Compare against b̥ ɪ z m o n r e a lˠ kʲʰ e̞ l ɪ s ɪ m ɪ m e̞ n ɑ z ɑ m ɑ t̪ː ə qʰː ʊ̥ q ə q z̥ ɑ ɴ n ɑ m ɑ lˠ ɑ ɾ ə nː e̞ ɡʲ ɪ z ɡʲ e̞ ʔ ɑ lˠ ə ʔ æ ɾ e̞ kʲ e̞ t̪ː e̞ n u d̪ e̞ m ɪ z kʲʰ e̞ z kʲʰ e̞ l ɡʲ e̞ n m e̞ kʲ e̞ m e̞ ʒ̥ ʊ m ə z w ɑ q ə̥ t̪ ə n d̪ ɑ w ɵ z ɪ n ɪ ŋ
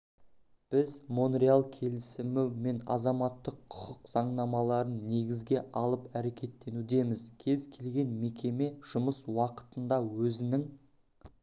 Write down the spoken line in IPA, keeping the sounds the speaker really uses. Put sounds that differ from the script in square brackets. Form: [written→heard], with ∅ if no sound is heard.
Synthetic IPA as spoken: b̥ ɪ z m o n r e a lˠ kʲʰ e̞ l ɪ s ɪ m ɪ m e̞ n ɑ z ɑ m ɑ t̪ː ə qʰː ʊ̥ q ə q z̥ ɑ ɴ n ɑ m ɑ lˠ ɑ ɾ ə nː e̞ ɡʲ ɪ z ɡʲ e̞ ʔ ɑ lˠ ə [ʔ→p] æ ɾ e̞ kʲ e̞ t̪ː e̞ n u d̪ e̞ m ɪ z kʲʰ e̞ z kʲʰ e̞ l ɡʲ e̞ n m e̞ kʲ e̞ m e̞ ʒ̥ ʊ m ə [z→s] w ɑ q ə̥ t̪ ə n d̪ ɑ w ɵ z ɪ n ɪ ŋ

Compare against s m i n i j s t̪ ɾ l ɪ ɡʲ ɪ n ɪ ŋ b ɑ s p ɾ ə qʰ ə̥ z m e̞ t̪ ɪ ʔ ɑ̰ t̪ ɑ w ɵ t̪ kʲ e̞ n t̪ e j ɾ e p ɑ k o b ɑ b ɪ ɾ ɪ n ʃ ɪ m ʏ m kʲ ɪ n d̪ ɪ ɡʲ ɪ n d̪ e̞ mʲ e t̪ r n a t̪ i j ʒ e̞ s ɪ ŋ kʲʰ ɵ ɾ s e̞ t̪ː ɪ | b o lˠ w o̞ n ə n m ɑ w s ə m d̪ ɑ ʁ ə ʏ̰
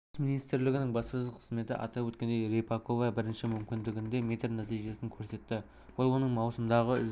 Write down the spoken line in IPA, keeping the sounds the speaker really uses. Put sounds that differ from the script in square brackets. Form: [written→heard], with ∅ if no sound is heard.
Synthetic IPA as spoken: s m i n i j s t̪ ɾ l ɪ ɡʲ ɪ n ɪ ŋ b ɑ s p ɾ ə qʰ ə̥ z m e̞ t̪ ɪ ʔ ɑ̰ t̪ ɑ w ɵ t̪ kʲ e̞ n [t̪→d̪] e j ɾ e p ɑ k o [b→v] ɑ b ɪ ɾ ɪ n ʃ ɪ m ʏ m kʲ ɪ n d̪ ɪ ɡʲ ɪ n d̪ e̞ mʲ e t̪ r n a t̪ i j ʒ e̞ s ɪ ŋ kʲʰ ɵ ɾ s e̞ t̪ː ɪ | [b→w] o lˠ w o̞ n ə [n→ɴ] m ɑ w s ə m d̪ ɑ ʁ ə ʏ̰

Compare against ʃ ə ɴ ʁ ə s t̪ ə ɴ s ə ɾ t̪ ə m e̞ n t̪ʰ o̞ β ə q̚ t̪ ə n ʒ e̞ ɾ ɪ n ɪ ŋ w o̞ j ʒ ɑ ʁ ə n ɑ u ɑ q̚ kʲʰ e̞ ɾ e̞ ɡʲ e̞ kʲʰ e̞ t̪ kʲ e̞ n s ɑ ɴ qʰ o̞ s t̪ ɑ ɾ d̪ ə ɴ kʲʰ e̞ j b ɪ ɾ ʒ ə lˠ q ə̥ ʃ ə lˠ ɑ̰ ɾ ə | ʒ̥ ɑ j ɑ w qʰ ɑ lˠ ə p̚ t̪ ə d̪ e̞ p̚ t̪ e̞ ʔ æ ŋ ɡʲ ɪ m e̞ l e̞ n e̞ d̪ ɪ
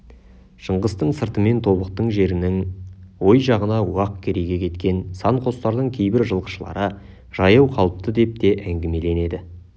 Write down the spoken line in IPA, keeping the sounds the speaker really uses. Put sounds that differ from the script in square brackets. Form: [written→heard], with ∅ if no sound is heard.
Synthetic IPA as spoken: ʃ ə ɴ ʁ ə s t̪ ə ɴ s ə ɾ t̪ ə m e̞ n t̪ʰ o̞ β ə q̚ t̪ ə [n→ɴ] ʒ e̞ ɾ ɪ n ɪ ŋ w o̞ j ʒ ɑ ʁ ə n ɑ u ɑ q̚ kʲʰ e̞ ɾ e̞ ɡʲ e̞ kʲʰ e̞ t̪ kʲ e̞ n s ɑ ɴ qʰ o̞ s t̪ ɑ ɾ d̪ ə ɴ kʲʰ e̞ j b ɪ ɾ ʒ ə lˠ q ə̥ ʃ ə lˠ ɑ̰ ɾ ə | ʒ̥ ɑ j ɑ w qʰ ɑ lˠ ə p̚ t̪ ə d̪ e̞ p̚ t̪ e̞ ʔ æ ŋ ɡʲ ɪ m e̞ l e̞ n e̞ d̪ ɪ

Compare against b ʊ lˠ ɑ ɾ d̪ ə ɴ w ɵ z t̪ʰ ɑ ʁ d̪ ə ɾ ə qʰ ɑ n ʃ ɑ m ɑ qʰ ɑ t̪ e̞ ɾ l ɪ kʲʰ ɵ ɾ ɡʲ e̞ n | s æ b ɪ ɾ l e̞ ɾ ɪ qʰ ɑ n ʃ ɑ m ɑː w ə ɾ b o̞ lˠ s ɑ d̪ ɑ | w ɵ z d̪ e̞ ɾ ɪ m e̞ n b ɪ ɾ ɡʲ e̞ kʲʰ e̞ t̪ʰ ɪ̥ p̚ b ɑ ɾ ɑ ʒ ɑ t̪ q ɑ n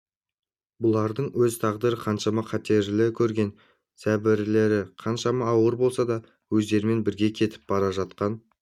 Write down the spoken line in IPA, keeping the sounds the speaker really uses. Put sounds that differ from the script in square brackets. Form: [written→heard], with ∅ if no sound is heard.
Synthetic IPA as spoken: b ʊ lˠ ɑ ɾ d̪ ə ɴ w ɵ z t̪ʰ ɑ ʁ d̪ ə ɾ ə qʰ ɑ n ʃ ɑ m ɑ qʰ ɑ t̪ e̞ ɾ l ɪ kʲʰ ɵ ɾ ɡʲ e̞ n | s æ b ɪ ɾ l e̞ ɾ ɪ qʰ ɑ n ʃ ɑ m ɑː w ə ɾ b o̞ lˠ s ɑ d̪ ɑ | w ɵ z d̪ e̞ ɾ ɪ m e̞ n b ɪ ɾ ɡʲ e̞ kʲʰ e̞ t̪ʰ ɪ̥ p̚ b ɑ ɾ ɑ ʒ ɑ t̪ q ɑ n

